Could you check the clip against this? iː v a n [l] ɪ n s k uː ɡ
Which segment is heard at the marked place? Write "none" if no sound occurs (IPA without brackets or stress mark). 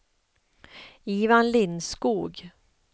l